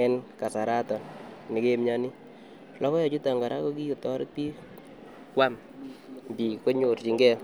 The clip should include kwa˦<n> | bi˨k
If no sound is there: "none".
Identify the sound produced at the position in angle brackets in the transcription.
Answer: m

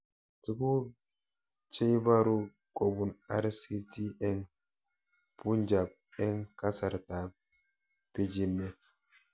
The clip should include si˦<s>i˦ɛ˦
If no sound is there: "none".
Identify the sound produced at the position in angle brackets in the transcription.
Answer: t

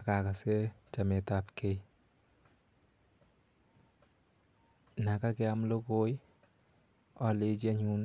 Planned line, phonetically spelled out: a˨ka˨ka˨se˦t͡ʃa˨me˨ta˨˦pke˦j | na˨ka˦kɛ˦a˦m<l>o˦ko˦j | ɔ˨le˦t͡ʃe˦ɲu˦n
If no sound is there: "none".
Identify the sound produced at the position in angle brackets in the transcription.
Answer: l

